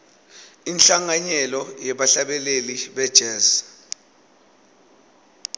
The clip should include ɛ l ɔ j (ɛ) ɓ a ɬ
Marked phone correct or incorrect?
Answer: correct